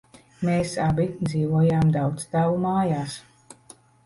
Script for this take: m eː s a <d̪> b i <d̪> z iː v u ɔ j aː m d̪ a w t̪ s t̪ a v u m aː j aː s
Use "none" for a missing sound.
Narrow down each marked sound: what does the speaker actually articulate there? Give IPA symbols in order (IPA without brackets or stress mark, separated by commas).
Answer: none, d̪